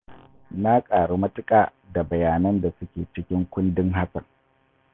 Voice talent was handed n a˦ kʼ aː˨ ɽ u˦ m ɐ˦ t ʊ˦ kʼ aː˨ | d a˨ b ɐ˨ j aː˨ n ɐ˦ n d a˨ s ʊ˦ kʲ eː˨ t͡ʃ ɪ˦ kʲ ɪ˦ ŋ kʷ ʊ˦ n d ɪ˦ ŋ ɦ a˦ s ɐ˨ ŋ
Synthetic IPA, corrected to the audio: n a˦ kʼ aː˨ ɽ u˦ m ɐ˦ t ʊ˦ kʼ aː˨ | d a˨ b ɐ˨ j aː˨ n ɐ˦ n d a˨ s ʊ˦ kʲ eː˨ t͡ʃ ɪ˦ kʲ ɪ˦ ŋ kʷ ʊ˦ n d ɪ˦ ŋ ɦ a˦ s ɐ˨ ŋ